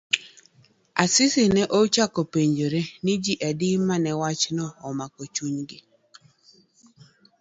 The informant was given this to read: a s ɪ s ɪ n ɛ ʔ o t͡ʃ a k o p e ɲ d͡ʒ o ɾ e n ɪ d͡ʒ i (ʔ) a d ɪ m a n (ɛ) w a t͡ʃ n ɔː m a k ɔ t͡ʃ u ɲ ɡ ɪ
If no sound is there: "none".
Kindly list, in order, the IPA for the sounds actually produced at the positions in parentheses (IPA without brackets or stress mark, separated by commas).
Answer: ʔ, ɛ